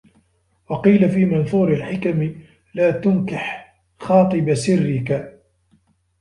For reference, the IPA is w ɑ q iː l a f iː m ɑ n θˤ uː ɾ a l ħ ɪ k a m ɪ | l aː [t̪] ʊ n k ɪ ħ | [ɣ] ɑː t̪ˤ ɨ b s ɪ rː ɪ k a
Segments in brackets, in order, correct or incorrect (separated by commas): correct, incorrect